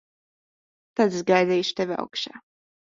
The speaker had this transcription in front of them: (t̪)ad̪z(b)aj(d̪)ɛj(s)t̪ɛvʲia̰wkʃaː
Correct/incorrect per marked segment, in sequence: correct, incorrect, correct, incorrect

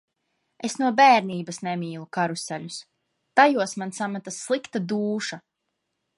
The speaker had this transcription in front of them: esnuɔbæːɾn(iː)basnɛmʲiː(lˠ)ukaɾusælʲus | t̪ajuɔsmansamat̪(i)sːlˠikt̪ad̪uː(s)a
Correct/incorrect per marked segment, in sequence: correct, correct, incorrect, incorrect

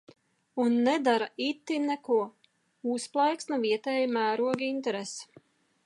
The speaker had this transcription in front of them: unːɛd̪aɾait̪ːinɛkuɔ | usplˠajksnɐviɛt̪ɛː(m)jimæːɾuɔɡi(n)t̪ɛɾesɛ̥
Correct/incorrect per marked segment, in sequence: incorrect, correct

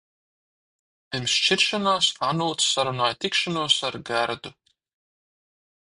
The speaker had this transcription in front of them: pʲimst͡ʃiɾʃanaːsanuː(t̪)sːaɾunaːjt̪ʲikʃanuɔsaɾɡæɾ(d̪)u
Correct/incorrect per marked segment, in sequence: correct, correct

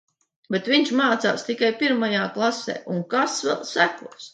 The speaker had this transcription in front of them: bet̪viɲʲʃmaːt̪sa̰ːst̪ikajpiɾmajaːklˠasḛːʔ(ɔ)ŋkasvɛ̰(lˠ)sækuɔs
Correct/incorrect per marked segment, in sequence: incorrect, correct

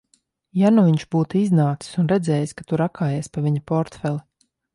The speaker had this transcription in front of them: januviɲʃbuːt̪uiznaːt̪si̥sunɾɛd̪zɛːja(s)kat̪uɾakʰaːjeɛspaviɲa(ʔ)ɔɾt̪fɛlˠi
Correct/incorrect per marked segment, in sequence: correct, incorrect

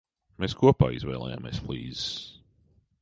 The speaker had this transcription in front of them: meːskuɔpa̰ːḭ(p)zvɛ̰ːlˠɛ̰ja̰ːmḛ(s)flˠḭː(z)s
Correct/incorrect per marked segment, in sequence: incorrect, correct, correct

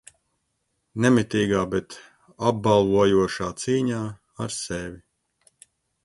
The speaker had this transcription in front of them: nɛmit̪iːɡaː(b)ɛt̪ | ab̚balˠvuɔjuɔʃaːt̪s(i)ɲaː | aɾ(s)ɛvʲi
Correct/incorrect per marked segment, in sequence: correct, incorrect, correct

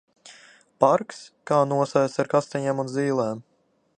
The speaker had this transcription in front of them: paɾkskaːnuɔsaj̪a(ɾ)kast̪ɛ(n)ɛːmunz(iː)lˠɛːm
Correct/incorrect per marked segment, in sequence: correct, incorrect, correct

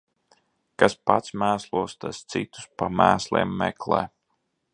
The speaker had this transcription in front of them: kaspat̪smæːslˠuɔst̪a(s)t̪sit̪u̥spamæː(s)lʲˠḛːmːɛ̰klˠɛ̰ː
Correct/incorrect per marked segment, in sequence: correct, correct

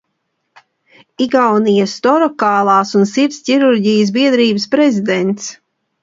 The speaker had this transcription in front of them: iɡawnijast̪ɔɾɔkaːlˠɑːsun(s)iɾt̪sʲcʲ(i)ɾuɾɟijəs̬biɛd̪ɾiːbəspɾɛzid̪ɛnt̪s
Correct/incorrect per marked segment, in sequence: correct, correct

